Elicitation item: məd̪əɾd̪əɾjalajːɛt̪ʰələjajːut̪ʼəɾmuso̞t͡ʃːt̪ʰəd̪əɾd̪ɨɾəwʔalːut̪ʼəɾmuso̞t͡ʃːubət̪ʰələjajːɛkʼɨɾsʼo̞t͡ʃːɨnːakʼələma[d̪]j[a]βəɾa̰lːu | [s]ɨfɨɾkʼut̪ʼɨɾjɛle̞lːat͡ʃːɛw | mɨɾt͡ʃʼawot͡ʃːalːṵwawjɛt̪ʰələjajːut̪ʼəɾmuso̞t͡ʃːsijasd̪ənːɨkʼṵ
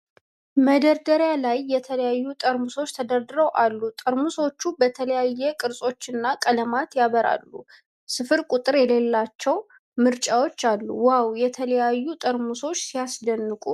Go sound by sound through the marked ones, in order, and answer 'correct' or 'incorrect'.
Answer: incorrect, correct, correct

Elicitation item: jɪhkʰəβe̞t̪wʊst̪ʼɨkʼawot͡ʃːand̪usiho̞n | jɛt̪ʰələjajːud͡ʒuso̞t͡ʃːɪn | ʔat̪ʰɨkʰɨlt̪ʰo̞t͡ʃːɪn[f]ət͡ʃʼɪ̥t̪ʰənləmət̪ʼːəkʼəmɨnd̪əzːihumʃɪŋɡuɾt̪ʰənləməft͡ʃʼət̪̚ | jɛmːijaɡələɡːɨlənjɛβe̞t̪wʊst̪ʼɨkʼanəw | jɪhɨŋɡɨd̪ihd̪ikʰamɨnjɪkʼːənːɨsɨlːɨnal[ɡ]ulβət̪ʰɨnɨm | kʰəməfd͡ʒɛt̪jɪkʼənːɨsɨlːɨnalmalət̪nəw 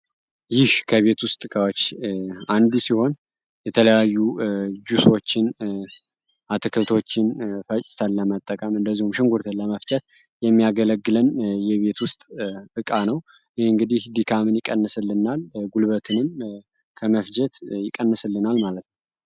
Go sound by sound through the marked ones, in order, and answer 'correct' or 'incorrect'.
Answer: correct, correct

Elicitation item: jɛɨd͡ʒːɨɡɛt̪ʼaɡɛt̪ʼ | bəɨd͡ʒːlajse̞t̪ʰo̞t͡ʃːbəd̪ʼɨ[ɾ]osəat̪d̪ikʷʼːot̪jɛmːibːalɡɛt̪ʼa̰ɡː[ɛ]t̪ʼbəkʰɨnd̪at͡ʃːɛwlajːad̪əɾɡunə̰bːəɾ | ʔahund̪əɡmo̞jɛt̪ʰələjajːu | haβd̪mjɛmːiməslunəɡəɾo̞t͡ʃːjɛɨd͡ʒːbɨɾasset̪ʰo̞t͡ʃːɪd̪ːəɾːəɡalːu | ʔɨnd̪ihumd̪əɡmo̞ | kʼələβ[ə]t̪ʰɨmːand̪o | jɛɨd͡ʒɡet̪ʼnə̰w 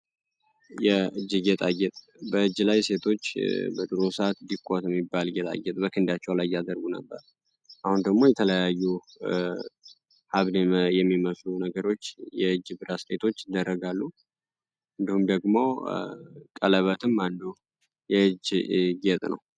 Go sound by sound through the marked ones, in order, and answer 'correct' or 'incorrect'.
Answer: correct, correct, correct

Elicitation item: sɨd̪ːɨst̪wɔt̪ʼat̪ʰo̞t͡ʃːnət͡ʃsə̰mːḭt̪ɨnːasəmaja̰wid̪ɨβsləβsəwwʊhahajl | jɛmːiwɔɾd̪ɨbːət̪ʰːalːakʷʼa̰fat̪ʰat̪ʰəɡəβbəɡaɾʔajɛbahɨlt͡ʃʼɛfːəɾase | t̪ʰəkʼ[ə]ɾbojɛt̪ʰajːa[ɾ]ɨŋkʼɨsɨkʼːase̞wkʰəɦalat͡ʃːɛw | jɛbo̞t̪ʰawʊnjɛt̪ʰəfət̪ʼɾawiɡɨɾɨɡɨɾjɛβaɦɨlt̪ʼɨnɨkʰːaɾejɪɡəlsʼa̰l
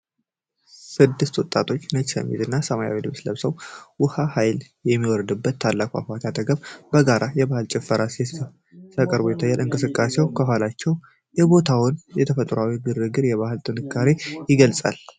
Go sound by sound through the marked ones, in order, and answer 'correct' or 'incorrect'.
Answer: correct, incorrect

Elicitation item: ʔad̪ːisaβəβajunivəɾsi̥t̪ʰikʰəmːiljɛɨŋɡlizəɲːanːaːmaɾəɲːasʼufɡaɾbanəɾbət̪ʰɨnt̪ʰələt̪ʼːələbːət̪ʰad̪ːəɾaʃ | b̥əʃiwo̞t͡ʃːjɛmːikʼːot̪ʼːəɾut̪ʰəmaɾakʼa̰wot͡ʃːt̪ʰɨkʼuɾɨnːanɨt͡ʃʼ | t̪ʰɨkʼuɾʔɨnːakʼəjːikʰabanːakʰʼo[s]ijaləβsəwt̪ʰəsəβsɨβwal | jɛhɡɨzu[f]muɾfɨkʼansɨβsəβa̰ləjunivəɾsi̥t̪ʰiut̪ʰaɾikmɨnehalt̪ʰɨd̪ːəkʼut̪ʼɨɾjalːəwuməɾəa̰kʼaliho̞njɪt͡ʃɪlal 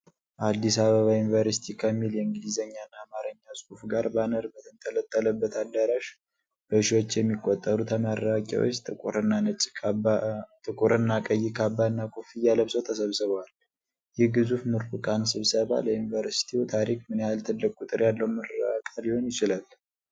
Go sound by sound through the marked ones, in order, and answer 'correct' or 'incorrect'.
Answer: incorrect, correct

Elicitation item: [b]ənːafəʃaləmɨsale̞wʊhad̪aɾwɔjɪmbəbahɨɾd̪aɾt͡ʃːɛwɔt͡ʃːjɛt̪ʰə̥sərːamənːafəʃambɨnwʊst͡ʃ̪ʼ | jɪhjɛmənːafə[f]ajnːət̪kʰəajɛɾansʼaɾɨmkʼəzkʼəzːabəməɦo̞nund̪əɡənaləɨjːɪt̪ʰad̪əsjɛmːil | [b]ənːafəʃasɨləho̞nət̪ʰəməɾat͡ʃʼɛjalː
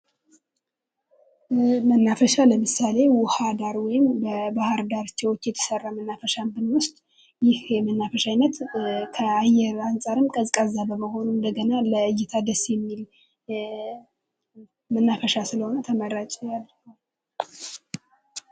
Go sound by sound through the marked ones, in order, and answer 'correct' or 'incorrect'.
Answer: incorrect, incorrect, incorrect

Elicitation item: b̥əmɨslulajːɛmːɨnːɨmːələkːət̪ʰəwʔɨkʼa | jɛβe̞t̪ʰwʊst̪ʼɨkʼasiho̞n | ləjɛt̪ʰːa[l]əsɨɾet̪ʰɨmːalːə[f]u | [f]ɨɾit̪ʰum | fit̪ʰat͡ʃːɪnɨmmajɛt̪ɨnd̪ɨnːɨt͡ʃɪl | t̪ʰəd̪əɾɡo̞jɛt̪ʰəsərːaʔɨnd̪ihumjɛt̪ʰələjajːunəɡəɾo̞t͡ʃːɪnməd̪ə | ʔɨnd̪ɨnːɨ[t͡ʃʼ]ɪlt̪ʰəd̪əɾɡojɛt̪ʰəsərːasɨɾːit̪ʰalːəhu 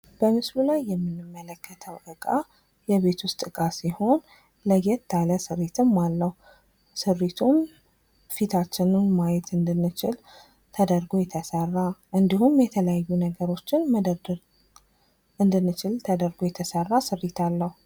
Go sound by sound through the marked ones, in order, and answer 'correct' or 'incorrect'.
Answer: correct, incorrect, incorrect, incorrect

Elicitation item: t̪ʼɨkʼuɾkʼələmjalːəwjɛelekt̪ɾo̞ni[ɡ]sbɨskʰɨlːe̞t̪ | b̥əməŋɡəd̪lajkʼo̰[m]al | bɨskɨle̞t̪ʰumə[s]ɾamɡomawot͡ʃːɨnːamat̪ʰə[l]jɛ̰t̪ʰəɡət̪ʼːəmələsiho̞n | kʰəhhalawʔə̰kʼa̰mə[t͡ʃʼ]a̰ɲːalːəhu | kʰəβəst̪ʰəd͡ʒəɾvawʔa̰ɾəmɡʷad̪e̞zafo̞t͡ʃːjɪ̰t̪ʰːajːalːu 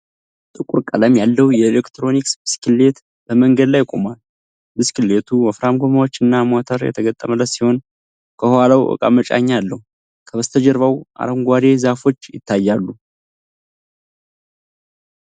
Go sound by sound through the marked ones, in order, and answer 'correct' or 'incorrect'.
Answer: incorrect, correct, incorrect, incorrect, correct

